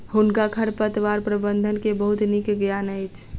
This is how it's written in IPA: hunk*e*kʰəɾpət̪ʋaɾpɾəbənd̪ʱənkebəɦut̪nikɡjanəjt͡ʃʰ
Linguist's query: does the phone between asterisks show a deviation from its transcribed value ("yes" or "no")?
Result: yes